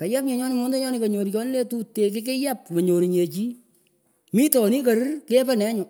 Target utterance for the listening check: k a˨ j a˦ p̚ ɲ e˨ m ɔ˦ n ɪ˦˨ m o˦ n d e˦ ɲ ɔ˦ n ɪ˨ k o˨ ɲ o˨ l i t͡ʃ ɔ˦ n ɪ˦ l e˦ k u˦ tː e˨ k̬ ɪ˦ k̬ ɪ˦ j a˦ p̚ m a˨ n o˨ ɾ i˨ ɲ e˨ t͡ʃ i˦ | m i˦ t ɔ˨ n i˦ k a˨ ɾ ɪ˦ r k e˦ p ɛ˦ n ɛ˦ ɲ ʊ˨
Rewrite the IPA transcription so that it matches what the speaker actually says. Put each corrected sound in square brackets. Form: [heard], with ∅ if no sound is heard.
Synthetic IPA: k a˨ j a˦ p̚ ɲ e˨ [ɲ] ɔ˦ n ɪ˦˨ m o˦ n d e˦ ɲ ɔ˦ n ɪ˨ k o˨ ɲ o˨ [ɾ] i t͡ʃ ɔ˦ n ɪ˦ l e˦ [t] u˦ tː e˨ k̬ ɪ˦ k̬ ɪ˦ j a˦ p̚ m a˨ [ɲ] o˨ ɾ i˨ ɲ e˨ t͡ʃ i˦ | m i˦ t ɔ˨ n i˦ k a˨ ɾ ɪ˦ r k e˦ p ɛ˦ n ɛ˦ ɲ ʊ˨